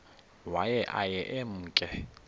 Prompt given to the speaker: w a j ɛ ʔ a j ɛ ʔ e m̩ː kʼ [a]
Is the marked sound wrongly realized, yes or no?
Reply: yes